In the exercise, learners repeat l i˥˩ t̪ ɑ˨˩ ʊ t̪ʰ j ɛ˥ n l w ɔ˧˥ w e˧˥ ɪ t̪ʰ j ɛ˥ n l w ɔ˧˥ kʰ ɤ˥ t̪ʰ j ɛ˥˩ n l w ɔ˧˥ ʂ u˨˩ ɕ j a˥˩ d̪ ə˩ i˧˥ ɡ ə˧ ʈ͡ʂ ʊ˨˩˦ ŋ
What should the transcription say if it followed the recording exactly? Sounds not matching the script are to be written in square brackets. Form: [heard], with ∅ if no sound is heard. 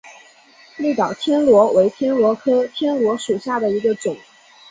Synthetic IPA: l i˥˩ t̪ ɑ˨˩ ʊ t̪ʰ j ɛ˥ n l w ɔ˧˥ w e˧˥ ɪ t̪ʰ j ɛ˥ n l w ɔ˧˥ kʰ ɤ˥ t̪ʰ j [ɛ˥] n l w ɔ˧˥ ʂ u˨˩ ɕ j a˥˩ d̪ ə˩ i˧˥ ɡ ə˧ ʈ͡ʂ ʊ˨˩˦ ŋ